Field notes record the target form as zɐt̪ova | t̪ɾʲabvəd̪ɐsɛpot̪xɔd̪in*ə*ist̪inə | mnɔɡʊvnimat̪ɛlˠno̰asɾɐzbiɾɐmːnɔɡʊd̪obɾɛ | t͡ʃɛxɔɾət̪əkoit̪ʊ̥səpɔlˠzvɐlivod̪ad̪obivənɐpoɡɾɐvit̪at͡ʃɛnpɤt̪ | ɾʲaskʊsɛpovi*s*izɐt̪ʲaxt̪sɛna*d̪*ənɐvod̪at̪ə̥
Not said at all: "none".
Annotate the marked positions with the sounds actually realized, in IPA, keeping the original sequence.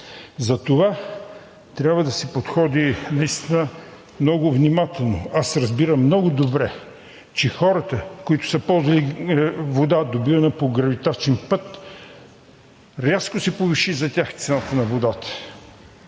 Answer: ɐ, ʃ, t̪

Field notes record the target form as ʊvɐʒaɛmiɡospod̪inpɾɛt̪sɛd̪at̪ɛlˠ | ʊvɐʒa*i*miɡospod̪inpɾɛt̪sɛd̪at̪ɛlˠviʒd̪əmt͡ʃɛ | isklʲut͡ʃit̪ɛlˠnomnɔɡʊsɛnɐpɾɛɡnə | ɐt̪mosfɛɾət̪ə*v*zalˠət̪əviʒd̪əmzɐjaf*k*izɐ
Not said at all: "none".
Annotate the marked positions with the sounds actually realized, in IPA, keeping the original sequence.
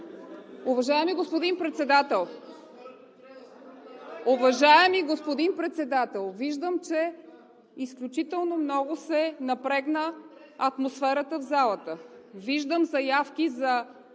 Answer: ɛ, v, k

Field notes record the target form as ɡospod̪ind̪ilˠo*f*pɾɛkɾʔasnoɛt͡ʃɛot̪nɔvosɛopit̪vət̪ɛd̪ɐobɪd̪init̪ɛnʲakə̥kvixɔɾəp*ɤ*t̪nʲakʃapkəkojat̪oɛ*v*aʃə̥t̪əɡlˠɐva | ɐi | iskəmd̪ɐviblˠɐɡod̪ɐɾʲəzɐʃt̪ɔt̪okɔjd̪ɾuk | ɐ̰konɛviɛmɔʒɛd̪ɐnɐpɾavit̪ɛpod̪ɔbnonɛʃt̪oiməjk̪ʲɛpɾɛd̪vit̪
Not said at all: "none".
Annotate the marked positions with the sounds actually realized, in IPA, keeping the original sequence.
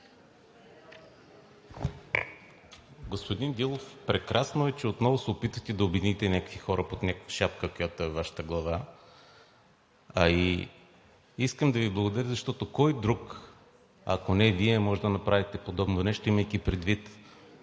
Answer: f, o, v

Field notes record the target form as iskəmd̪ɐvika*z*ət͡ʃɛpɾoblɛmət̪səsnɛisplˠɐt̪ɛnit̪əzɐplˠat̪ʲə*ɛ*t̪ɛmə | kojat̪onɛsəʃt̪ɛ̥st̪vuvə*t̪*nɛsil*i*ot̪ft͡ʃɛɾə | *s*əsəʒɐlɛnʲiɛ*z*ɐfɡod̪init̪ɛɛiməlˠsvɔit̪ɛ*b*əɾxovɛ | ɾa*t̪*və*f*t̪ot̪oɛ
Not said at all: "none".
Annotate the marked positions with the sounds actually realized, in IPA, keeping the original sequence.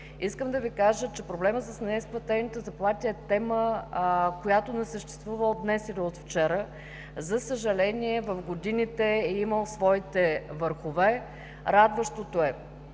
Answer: ʒ, ɛ, d̪, i, z, v, v, d̪, ʃ

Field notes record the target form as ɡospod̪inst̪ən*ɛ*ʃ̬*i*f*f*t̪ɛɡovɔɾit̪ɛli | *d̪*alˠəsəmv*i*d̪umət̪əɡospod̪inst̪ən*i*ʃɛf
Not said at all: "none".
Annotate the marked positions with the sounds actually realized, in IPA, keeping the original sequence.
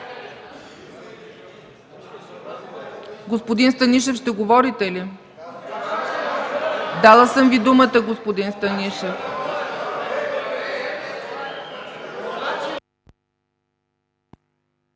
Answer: i, ɛ, ʃ, d̪, i, i

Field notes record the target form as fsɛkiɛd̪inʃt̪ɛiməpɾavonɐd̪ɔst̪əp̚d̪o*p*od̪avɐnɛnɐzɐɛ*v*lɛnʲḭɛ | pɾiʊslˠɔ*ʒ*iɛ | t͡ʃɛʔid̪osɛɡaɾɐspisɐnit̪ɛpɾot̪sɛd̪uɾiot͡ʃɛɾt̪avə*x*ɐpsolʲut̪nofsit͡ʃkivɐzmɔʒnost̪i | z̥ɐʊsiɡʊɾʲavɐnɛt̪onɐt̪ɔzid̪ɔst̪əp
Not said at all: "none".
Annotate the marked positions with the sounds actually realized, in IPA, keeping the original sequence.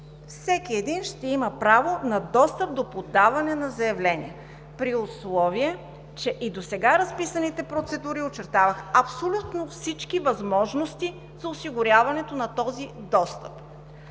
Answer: p, v, v, x

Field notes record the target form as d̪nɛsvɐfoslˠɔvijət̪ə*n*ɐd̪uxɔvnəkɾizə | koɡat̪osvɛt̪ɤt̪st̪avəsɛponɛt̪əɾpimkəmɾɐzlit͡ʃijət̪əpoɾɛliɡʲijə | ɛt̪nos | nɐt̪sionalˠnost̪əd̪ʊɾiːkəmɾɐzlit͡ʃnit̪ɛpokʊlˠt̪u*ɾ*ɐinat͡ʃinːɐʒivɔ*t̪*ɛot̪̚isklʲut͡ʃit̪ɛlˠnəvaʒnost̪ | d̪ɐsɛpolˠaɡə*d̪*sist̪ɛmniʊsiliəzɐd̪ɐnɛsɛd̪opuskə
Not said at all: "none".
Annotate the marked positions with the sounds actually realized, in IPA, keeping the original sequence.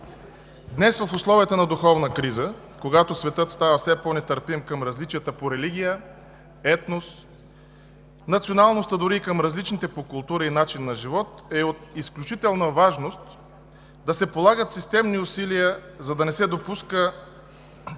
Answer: n, ɾ, t̪, t̪

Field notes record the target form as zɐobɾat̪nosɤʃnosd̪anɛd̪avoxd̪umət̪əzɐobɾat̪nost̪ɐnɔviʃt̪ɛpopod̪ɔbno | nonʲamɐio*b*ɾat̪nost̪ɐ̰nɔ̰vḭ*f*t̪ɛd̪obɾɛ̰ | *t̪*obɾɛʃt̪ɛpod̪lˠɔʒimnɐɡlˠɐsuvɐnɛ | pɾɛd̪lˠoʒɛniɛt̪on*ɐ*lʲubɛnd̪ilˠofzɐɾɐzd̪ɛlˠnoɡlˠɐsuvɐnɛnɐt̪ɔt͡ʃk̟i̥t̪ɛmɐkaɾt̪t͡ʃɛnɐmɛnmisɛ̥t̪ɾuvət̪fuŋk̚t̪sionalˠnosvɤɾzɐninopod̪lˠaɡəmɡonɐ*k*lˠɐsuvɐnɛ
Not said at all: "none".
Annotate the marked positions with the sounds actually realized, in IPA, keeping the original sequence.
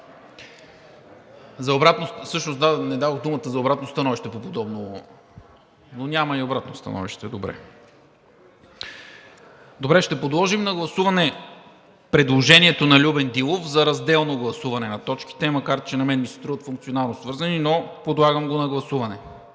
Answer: b, ʃ, d̪, ɐ, ɡ

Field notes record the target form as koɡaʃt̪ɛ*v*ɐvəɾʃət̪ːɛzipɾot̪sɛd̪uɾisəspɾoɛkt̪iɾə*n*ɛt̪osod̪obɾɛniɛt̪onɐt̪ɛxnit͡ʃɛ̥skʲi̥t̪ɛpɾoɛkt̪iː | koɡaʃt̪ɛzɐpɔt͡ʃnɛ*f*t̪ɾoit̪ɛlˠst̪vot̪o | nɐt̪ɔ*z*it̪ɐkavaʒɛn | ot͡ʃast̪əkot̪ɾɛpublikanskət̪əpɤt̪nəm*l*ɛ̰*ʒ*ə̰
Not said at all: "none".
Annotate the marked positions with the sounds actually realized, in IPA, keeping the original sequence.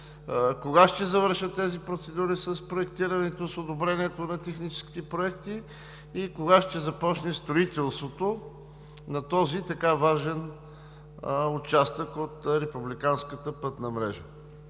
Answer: z, n, s, z, ɾ, ʒ

